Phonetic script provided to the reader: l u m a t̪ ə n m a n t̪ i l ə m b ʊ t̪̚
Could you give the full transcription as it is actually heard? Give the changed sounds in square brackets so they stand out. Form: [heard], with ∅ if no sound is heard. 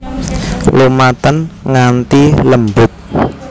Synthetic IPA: l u m a t̪ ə n [ŋ] a n t̪ i l ə m b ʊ t̪̚

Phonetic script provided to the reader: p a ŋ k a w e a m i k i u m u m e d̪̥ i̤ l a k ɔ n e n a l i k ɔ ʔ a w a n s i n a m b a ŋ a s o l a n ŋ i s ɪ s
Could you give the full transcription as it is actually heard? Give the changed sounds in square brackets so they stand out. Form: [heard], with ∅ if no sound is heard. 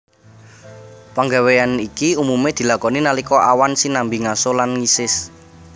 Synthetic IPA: p a ŋ [ɡ] a w e a [n] i k i u m u m e d̪̥ i̤ l a k ɔ n [i] n a l i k ɔ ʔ a w a n s i n a m b [i] ŋ a s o l a n ŋ i s ɪ s

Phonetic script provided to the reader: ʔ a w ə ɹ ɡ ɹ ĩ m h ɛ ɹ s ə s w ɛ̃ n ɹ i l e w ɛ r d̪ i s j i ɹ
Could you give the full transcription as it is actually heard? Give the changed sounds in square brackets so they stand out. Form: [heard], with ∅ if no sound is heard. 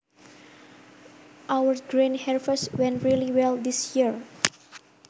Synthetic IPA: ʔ a w ə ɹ ɡ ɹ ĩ [n] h ɛ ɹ [f] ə s w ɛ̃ n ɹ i l [i] w ɛ [l] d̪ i s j i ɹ

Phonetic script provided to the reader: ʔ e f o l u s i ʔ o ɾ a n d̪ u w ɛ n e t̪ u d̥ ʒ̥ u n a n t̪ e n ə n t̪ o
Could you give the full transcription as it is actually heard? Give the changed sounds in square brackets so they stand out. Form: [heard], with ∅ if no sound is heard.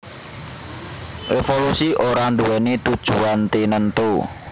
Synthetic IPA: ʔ e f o l u s i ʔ o ɾ a n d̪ u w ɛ n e t̪ u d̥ ʒ̥ u [∅] a n t̪ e n ə n t̪ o

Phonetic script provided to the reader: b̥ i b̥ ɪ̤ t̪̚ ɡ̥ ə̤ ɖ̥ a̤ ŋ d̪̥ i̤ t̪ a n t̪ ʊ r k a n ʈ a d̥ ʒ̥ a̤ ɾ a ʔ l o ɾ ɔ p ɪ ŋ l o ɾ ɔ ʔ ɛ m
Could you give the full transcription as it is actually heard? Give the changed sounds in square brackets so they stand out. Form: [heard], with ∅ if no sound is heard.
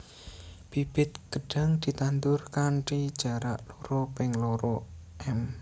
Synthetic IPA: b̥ i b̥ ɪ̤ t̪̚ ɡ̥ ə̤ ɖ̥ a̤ ŋ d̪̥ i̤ t̪ a n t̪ ʊ r k a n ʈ [i] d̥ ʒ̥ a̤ ɾ a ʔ l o ɾ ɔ p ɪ ŋ l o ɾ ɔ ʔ ɛ m

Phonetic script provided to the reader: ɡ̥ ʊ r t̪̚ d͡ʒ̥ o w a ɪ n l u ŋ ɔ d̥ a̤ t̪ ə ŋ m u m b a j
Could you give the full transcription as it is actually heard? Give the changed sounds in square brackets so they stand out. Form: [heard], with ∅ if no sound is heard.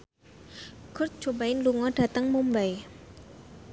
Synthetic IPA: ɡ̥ ʊ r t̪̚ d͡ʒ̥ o [b] a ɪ n l u ŋ ɔ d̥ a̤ t̪ ə ŋ m u m b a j

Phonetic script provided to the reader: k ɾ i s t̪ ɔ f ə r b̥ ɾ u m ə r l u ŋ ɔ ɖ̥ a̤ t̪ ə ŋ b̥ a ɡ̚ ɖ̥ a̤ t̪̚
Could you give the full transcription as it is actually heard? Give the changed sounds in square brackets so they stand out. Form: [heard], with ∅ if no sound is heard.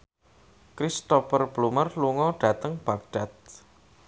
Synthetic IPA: k ɾ i s t̪ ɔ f ə r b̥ [l] u m ə r l u ŋ ɔ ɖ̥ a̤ t̪ ə ŋ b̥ a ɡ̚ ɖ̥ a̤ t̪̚

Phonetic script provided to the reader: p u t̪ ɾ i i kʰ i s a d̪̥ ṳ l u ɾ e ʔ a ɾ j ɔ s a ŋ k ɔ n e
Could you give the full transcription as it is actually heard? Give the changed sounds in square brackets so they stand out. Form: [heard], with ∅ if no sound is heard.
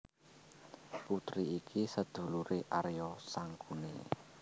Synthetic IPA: p u t̪ ɾ i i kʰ i s [ə] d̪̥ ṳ l u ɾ e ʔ a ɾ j ɔ s a ŋ k [u] n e

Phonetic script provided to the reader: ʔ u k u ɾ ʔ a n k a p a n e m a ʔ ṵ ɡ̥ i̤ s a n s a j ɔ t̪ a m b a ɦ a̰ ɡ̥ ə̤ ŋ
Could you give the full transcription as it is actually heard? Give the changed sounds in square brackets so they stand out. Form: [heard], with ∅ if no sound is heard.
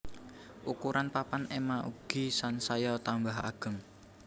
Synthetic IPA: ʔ u k u ɾ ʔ a n [p] a p a n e m a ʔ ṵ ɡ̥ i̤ s a n s a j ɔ t̪ a m b a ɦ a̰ ɡ̥ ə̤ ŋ

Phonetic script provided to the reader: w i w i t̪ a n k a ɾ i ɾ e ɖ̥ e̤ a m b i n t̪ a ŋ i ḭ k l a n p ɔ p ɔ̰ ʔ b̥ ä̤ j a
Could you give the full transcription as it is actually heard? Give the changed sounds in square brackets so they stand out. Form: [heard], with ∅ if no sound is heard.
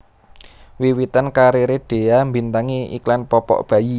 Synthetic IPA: w i w i t̪ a n k a ɾ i ɾ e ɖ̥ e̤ a m b i n t̪ a ŋ i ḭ k l a n p ɔ p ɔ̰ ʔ b̥ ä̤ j [i]

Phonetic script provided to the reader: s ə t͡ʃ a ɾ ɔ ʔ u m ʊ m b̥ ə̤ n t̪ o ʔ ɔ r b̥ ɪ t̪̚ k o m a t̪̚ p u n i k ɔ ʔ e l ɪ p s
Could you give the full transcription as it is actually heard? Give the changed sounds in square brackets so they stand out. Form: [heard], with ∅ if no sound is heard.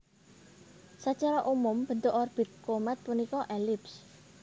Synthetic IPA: s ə t͡ʃ a ɾ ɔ ʔ u m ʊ m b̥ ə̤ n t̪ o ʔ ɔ r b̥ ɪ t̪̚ k o m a t̪̚ p u n i k ɔ ʔ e l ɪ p s

